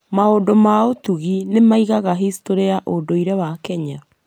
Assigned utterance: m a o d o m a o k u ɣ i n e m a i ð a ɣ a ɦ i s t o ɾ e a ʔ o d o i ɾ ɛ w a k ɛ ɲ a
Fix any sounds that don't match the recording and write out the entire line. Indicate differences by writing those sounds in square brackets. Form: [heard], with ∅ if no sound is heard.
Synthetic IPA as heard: m a o d o m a o [t] u ɣ i n e m a i [ɣ] a ɣ a ɦ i s t o ɾ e a ʔ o d o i ɾ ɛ w a k ɛ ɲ a